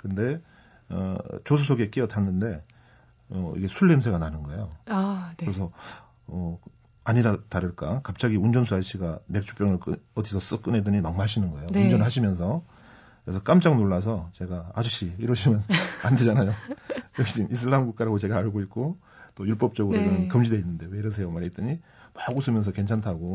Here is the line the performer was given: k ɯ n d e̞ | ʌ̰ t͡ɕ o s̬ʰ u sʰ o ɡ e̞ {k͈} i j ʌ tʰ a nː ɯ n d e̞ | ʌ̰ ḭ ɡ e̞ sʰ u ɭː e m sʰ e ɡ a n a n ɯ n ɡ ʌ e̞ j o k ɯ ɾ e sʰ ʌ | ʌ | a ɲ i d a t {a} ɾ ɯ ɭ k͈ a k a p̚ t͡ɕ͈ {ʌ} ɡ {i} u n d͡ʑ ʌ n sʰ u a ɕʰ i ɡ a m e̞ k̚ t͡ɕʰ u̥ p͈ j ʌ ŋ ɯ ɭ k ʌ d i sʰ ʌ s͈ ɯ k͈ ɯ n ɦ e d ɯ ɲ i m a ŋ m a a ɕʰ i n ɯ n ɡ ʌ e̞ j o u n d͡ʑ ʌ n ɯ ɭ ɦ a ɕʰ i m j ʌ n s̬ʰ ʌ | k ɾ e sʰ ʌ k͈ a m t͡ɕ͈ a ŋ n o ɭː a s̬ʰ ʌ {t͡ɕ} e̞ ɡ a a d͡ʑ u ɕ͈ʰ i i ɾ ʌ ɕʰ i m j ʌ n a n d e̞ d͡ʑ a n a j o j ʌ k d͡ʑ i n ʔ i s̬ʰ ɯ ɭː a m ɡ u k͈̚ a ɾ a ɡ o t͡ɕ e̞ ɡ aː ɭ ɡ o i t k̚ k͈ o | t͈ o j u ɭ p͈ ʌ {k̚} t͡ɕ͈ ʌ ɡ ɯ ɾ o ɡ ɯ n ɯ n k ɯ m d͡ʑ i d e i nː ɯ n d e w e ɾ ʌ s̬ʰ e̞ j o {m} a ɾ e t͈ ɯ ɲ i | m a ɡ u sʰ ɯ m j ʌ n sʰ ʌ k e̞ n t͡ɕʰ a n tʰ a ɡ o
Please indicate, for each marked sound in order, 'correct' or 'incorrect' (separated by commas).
correct, correct, incorrect, correct, correct, incorrect, correct